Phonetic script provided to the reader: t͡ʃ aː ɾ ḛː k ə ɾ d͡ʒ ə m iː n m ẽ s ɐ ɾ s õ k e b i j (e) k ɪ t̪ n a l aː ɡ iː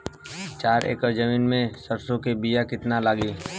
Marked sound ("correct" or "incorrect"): incorrect